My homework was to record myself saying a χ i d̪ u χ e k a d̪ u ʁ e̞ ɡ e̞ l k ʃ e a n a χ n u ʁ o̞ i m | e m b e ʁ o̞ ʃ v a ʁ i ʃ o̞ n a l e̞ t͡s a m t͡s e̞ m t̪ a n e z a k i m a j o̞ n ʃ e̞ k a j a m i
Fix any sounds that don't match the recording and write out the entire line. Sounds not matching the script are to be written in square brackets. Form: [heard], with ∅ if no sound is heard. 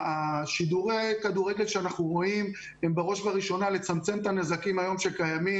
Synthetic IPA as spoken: a [ʃ] i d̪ u [ʁ] e k a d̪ u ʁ e̞ ɡ e̞ l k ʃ e a n a χ n u ʁ o̞ i m | e m b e ʁ o̞ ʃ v a ʁ i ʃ o̞ n a l e̞ t͡s a m t͡s e̞ m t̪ a n e z a k i m a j o̞ [m] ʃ e̞ k a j a m i

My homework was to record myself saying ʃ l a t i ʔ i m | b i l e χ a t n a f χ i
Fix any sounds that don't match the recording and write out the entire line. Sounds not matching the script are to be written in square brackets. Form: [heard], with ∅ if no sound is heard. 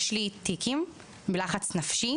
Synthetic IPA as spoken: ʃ l [i] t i [k] i m | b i l [a] χ a [t͡s] n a f [ʃ] i

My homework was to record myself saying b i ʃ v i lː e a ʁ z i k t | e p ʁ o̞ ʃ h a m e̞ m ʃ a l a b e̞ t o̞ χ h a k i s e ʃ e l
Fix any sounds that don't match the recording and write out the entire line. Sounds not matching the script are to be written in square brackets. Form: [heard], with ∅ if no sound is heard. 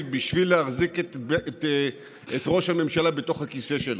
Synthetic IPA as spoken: b i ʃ v i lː e a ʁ z i k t | e [t] ʁ o̞ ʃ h a m e̞ m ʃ a l a b e̞ t o̞ χ h a k i s e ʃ e l

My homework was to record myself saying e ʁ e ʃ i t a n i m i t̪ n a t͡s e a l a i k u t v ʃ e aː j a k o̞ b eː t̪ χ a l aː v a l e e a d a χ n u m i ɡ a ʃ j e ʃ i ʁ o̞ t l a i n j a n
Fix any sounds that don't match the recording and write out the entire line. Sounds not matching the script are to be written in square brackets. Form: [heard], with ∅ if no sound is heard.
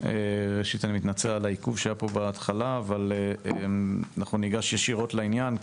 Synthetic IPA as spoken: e ʁ e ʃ i t a n i m i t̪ n a t͡s e a l a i k u [∅] v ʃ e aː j a [p] o̞ b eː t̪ χ a l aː v a l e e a [n] a χ n u [n] i ɡ a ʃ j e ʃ i ʁ o̞ t l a i n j a n

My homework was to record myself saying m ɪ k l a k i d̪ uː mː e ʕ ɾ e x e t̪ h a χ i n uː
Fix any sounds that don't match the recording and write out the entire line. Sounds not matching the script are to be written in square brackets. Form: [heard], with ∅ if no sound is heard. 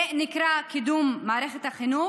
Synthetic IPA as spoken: [n] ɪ k [ɾ] a k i d̪ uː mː [a] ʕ ɾ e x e t̪ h a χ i n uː

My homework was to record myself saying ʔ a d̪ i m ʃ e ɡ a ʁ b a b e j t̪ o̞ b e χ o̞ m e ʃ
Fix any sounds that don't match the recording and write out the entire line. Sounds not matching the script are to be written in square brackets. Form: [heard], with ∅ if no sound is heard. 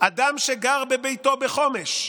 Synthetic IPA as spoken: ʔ a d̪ [a] m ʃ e ɡ a ʁ b [e] b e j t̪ o̞ b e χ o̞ m e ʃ

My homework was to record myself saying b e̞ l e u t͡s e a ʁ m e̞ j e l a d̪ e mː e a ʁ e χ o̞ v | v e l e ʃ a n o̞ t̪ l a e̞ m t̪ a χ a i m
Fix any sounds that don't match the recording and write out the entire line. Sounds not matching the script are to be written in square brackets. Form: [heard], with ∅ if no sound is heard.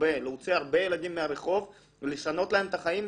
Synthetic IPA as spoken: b e̞ l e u t͡s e a ʁ [b] e̞ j e l a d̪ [i] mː e a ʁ e χ o̞ v | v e l e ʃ a n o̞ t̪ l a e̞ m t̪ a χ a i m

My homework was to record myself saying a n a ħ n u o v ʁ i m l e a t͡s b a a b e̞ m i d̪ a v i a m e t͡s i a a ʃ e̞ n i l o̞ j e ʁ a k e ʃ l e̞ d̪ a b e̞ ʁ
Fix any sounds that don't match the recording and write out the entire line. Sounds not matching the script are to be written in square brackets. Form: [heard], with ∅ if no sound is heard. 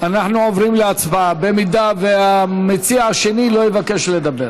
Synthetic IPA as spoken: a n a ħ n u o v ʁ i m l e a t͡s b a a b e̞ m i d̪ a v [e] a m e t͡s i a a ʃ e̞ n i l o̞ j e [v] a k e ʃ l e̞ d̪ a b e̞ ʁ

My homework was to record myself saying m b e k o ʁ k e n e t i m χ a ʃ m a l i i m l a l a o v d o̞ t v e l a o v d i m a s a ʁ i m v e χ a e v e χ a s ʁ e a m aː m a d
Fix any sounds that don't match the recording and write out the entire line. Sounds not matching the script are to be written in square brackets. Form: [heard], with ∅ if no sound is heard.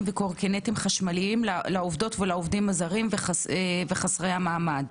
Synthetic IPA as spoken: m [v] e k o ʁ k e n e t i m χ a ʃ m a l i i m l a l a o v d o̞ t v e l a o v d i m a [z] a ʁ i m v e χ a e v e χ a s ʁ e a m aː m a d

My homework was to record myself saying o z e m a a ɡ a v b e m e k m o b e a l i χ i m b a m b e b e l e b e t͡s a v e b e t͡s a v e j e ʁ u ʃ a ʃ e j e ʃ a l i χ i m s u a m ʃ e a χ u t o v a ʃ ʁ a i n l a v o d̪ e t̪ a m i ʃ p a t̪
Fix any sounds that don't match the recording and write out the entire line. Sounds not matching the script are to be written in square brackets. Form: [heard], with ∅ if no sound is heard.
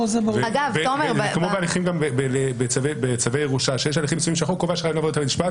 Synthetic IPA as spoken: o z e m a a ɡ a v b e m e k m o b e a l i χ i m [ɡ] a m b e b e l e b e t͡s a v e b e t͡s a v e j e ʁ u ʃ a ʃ e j e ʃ a l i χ i m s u [i] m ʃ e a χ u [k] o v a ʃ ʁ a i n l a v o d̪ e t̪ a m i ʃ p a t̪

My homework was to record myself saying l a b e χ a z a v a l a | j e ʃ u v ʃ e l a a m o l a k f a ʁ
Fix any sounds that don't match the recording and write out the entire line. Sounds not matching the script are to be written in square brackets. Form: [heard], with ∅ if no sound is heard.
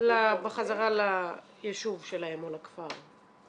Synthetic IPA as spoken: l a b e χ a z a [ʁ] a l a | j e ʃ u v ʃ e l a [e] m o l a k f a ʁ

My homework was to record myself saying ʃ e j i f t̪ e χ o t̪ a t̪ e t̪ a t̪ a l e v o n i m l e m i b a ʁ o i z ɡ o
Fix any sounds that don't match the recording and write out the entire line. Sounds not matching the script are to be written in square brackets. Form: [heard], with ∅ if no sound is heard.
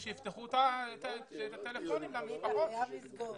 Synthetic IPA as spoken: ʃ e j i f t̪ e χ [u] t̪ a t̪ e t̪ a t̪ [e] l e [f] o n i m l [a] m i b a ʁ o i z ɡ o

